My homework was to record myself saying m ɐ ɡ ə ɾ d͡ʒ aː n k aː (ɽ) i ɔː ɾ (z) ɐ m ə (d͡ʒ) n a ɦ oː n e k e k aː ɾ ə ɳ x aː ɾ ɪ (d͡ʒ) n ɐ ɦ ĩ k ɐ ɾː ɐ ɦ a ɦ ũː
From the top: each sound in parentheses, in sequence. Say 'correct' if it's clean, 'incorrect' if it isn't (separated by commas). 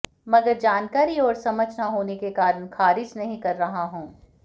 incorrect, incorrect, correct, correct